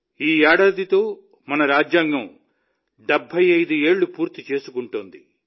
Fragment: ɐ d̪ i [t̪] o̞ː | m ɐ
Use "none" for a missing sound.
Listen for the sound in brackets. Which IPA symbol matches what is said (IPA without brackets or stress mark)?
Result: t̪